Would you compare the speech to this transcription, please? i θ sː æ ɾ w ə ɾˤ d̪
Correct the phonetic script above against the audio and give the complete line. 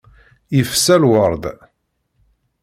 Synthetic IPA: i f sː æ l w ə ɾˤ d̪